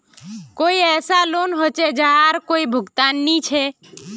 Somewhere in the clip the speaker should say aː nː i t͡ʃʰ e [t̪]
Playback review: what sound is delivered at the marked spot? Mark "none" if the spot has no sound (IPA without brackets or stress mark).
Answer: none